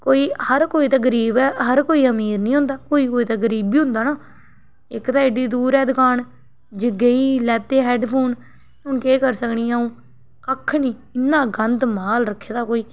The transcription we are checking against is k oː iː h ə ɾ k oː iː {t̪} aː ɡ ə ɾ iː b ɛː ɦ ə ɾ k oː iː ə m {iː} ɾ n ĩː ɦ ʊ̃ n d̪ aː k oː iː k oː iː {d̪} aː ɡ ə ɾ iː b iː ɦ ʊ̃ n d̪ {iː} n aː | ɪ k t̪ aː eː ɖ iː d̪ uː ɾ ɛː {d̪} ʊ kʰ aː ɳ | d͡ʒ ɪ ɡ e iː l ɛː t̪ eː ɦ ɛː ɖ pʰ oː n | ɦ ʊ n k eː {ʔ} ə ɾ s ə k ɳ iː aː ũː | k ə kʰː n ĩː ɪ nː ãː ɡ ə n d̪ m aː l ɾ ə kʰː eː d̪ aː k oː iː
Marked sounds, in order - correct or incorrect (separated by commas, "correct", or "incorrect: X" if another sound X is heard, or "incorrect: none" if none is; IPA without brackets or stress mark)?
correct, correct, incorrect: t̪, incorrect: aː, correct, incorrect: k